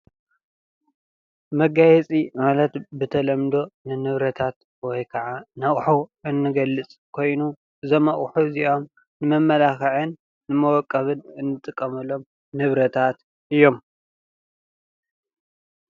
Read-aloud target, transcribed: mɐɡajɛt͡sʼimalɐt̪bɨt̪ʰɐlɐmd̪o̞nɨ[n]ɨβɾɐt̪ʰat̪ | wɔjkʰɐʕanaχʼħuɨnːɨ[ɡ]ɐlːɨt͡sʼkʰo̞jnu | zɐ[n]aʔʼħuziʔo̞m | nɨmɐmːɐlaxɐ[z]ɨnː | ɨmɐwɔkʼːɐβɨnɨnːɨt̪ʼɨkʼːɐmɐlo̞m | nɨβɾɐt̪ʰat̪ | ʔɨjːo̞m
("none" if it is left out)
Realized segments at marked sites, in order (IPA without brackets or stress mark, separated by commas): n, ɡ, m, ʕ